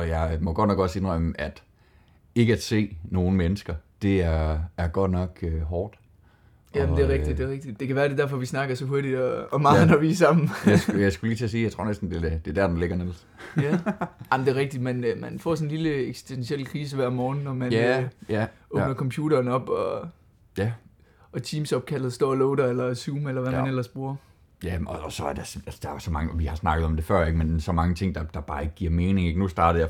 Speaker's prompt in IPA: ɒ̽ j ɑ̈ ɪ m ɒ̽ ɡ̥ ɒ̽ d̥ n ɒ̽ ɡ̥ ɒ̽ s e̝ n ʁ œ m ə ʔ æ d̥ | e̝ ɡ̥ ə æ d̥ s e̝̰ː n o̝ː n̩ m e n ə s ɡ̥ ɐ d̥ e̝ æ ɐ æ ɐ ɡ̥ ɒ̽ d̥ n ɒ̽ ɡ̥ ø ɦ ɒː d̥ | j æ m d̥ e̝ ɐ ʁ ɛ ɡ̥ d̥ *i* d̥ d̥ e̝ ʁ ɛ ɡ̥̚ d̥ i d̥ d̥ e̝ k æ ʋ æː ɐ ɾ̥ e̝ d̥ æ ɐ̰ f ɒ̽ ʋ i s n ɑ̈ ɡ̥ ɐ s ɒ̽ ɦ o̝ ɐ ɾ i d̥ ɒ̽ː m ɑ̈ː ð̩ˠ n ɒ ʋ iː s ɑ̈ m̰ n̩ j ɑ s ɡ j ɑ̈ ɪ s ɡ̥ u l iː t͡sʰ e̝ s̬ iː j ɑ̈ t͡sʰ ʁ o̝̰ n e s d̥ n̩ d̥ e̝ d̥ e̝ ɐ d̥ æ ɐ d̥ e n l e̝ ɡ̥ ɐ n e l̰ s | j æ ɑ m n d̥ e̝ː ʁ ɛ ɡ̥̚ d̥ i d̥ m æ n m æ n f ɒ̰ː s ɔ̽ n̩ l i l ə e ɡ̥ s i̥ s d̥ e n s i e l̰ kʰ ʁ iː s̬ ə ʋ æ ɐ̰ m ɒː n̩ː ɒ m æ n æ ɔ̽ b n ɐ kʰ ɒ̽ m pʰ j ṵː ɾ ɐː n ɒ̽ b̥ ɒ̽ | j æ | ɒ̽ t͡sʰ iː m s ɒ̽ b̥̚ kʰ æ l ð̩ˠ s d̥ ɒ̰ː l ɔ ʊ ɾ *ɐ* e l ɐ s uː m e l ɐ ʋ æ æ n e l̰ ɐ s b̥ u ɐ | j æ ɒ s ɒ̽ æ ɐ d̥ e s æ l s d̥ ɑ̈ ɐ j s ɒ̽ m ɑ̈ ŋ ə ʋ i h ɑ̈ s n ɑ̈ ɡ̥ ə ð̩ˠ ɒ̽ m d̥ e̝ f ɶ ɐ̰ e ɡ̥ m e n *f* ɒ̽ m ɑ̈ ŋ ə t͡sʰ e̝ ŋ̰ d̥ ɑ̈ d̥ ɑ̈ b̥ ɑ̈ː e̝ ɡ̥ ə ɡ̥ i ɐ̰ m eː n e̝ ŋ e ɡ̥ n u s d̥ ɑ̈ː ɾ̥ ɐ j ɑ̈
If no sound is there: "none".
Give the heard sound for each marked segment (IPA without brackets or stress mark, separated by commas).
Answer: i, ɐ, s